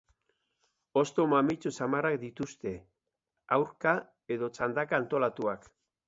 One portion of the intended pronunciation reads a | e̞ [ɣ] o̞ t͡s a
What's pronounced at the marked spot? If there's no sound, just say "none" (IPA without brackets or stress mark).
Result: ð